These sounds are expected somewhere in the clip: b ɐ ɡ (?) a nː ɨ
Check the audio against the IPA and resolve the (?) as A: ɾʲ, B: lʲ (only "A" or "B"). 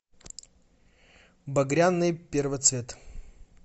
A